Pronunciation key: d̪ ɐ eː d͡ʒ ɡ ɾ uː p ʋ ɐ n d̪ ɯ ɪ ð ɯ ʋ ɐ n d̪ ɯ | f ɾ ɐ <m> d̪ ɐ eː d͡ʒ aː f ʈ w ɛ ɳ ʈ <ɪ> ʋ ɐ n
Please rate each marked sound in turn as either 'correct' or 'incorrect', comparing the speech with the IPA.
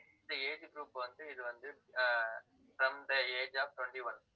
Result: correct, incorrect

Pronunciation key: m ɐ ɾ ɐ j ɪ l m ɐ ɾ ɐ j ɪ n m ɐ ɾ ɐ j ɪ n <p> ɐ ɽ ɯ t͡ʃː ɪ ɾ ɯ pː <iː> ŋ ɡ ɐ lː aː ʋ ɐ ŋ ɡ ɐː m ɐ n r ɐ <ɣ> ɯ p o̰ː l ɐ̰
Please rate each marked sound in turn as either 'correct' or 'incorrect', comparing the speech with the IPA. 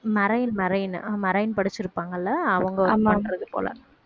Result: correct, incorrect, incorrect

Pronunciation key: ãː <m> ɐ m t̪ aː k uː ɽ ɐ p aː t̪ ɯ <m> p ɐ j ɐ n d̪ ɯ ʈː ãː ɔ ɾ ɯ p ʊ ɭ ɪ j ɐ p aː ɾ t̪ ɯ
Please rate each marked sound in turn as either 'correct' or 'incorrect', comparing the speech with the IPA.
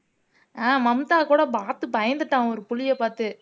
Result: correct, incorrect

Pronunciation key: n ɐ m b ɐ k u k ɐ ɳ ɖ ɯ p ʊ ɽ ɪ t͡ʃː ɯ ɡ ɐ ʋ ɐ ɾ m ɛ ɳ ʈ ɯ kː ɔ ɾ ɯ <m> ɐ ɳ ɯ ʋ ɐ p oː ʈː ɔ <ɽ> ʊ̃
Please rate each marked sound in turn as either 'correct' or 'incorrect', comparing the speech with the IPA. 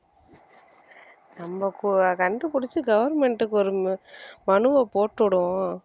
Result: correct, correct

